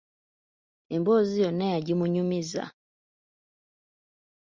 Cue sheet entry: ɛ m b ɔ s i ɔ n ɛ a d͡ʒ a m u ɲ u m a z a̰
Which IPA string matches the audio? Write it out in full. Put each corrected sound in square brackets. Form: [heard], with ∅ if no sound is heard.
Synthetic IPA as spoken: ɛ m b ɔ [z] i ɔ n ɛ a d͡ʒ [i] m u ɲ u m [i] z a̰

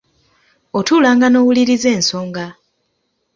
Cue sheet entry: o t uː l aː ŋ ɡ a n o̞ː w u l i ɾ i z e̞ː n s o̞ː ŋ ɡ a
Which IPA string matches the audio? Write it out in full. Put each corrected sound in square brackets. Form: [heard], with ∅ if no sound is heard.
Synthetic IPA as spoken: o t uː l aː ŋ ɡ a n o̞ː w u l i ɾ i z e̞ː n s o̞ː ŋ ɡ a

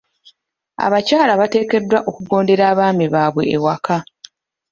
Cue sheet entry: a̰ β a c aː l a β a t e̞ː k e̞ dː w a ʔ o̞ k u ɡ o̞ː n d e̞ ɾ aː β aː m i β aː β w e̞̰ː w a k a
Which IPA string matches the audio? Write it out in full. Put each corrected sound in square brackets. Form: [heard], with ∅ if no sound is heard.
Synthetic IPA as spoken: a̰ β a c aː l a β a t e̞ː k e̞ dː w a ʔ o̞ k u ɡ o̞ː n d e̞ ɾ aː β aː m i β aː β w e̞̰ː w a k a

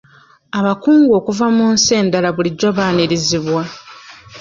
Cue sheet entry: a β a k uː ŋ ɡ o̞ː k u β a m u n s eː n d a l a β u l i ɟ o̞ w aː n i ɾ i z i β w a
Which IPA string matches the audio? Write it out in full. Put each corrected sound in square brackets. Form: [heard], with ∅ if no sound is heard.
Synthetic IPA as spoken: a β a k uː ŋ ɡ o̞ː k u [v] a m u n s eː n d a l a β u l i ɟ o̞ [β] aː n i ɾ i z i β w a

